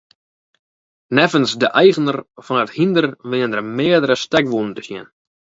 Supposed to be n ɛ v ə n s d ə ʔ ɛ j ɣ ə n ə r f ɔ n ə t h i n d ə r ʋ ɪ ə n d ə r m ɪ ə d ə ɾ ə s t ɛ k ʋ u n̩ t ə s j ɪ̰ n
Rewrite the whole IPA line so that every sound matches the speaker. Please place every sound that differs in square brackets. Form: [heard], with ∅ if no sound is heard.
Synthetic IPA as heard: n ɛ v ə n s d ə ʔ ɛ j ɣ ə n ə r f ɔ n ə t h i n d ə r ʋ ɪ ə n d ə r m ɪ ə d ə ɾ ə s t ɛ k ʋ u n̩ t ə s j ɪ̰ n